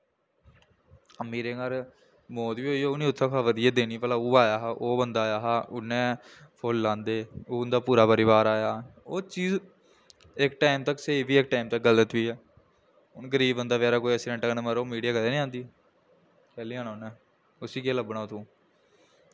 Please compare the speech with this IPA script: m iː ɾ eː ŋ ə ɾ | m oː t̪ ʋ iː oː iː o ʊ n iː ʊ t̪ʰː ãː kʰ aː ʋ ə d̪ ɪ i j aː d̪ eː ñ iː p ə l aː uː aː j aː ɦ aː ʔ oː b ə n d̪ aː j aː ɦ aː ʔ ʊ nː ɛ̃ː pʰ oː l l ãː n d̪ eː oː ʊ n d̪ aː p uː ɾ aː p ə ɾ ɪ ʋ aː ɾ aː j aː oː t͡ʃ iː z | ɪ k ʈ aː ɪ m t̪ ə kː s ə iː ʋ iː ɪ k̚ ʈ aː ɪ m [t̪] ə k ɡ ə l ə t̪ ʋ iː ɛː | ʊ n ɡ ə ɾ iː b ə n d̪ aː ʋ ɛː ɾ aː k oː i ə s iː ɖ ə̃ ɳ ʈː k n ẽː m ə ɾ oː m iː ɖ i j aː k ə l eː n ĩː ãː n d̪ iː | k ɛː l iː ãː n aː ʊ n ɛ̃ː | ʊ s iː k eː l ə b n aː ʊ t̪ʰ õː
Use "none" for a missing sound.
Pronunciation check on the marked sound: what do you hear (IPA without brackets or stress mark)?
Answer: t̪